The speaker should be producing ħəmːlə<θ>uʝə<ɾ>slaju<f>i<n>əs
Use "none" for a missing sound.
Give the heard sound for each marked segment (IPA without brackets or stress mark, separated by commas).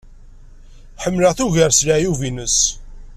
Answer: θ, ɾ, v, n